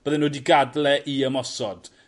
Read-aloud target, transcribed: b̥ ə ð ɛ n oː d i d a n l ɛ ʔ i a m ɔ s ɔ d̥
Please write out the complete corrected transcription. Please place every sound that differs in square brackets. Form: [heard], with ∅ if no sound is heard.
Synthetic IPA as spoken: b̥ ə ð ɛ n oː d i [ɡ] a [d] l ɛ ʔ i [ə] m ɔ s ɔ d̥

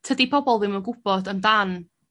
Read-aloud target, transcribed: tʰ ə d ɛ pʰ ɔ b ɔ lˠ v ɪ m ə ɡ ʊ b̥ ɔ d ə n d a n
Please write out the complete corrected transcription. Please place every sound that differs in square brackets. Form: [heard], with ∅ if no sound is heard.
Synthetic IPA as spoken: tʰ ə d [i] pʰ ɔ b ɔ lˠ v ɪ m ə ɡ ʊ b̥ ɔ d ə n d a n

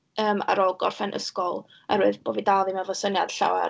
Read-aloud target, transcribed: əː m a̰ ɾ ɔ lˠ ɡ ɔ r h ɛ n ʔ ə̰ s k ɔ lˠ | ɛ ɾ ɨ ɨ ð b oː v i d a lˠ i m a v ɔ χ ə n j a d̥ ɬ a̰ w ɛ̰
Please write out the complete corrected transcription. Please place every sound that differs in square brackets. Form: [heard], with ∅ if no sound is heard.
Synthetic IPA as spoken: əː m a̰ ɾ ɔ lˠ ɡ ɔ r [f] ɛ n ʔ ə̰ s k ɔ lˠ | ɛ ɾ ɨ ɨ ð b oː v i d a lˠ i m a v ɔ [s] ə n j a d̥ ɬ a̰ w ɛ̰

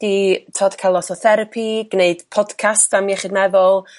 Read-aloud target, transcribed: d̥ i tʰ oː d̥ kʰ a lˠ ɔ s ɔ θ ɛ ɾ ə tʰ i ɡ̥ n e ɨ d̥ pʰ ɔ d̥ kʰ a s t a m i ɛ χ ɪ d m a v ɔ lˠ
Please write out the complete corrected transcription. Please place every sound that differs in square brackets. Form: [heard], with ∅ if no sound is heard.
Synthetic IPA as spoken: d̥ i tʰ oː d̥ kʰ a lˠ ɔ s ɔ θ ɛ ɾ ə [pʰ] i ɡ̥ n e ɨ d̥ pʰ ɔ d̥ kʰ a s t a m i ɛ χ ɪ d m [ɛ] v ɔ lˠ

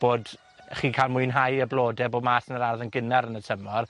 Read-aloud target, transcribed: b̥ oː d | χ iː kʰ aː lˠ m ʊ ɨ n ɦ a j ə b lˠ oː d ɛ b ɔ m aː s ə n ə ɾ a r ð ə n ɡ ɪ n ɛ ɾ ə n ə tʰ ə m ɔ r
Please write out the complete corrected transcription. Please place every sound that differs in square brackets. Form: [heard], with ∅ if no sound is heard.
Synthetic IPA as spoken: b̥ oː d | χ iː kʰ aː lˠ m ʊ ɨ n ɦ a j ə b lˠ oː d ɛ b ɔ m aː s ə n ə ɾ a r ð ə n ɡ ɪ n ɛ ɾ ə n ə tʰ ə m ɔ r

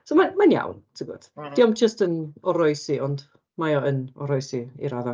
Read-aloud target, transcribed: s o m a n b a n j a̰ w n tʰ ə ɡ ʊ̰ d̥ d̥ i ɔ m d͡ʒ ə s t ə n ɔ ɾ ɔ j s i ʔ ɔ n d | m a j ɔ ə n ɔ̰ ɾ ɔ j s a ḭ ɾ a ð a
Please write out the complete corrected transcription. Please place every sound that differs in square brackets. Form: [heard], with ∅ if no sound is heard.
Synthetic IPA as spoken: s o m a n [m] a n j a̰ w n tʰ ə ɡ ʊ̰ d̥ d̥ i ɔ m d͡ʒ ə s t ə n ɔ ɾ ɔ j s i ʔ ɔ n d | m a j ɔ ə n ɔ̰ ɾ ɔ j s [i] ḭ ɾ a ð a

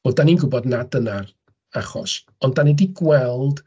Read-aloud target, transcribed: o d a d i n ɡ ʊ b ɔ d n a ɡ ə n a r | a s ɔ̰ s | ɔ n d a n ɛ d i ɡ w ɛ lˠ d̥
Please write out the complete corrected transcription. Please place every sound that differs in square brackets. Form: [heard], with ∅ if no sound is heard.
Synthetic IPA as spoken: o d a [n] i n ɡ ʊ b ɔ d n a [d] ə n a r | a [χ] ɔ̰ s | ɔ n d a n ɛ d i ɡ w ɛ lˠ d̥

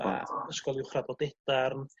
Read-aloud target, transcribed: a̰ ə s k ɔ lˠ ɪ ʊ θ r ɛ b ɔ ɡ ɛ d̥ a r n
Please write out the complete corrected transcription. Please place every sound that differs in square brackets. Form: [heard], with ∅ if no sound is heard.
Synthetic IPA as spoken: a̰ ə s k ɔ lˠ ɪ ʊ [χ] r [a] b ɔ [d] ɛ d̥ a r n

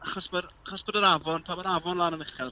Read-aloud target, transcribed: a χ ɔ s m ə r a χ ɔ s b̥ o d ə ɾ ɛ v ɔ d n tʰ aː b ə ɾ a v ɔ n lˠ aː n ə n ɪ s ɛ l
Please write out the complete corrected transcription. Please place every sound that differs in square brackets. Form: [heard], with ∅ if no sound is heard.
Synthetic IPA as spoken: a χ ɔ s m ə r a χ ɔ s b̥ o d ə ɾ [a] v ɔ [∅] n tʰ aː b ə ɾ a v ɔ n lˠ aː n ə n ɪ [χ] ɛ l

